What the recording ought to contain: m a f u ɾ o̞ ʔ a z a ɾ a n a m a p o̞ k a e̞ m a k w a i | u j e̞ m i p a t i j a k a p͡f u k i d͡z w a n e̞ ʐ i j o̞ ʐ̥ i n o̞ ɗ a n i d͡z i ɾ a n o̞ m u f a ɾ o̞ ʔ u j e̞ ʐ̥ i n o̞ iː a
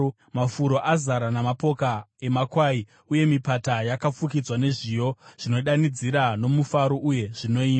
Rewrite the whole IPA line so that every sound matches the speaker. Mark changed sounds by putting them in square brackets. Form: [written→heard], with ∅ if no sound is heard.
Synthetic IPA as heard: m a f u ɾ o̞ ʔ a z a ɾ a n a m a p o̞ k a e̞ m a k w a i | u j e̞ m i p a t [i→a] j a k a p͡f u k i d͡z w a n e̞ ʐ i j o̞ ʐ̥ i n o̞ ɗ a n i d͡z i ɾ a n o̞ m u f a ɾ o̞ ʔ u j e̞ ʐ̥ i n o̞ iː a

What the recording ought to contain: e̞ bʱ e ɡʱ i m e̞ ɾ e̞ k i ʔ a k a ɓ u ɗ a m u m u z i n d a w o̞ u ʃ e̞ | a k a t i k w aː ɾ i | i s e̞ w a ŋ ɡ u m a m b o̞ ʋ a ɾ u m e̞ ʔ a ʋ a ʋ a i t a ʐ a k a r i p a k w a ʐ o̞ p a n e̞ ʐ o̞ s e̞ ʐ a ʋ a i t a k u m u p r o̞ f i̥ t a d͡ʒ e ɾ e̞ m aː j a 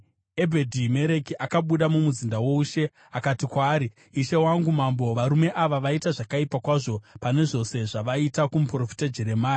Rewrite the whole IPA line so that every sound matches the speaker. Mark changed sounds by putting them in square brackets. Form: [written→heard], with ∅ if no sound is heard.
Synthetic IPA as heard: e̞ bʱ e [ɡʱ→dʱ] i m e̞ ɾ e̞ k i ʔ a k a ɓ u ɗ a m u m u z i n d a w o̞ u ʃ e̞ | a k a t i k w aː ɾ i | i [s→ʃ] e̞ w a ŋ ɡ u m a m b o̞ ʋ a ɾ u m e̞ ʔ a ʋ a ʋ a i t a ʐ a k a [r→∅] i p a k w a ʐ o̞ p a n e̞ ʐ o̞ s e̞ ʐ a ʋ a i t a k u m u p r o̞ f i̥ t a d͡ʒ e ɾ e̞ m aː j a

